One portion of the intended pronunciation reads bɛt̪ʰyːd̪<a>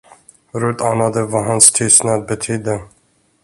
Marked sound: incorrect: ə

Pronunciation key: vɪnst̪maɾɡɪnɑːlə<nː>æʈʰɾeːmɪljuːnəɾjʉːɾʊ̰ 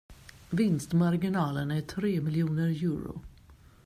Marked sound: incorrect: n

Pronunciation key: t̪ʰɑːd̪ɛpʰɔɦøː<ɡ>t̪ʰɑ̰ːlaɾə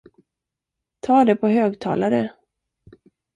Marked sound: correct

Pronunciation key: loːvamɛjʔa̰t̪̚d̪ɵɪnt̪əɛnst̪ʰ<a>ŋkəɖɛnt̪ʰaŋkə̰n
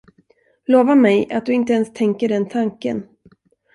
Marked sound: incorrect: ɛ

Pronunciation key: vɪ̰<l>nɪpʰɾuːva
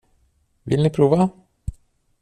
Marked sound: correct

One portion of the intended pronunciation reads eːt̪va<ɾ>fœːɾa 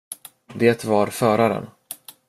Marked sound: correct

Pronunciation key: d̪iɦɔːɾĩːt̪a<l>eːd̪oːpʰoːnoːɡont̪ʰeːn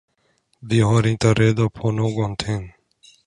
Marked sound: incorrect: ɾ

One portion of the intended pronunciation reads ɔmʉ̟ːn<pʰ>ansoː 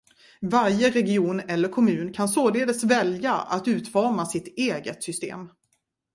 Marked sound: incorrect: kʰ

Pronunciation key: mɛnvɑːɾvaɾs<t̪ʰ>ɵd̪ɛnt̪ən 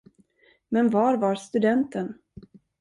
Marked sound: incorrect: t̪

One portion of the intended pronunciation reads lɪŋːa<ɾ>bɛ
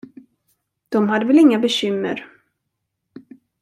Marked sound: incorrect: none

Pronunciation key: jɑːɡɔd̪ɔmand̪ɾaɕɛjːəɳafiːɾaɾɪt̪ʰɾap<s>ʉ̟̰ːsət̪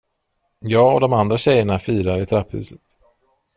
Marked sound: incorrect: h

